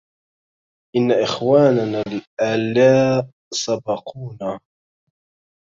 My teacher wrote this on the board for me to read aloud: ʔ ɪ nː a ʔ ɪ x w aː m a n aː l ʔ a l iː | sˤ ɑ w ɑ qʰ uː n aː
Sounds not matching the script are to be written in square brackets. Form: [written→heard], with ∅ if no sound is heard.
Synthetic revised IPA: ʔ ɪ nː a ʔ ɪ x w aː [m→n] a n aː l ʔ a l [iː→aː] | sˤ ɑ [w→b] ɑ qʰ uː n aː